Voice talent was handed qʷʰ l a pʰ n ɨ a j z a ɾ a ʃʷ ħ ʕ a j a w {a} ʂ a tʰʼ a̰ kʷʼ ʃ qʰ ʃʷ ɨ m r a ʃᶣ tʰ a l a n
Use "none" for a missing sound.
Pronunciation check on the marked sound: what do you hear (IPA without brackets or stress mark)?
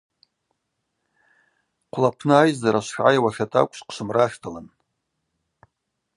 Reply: a